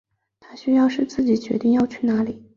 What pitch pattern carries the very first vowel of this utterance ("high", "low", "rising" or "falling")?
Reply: high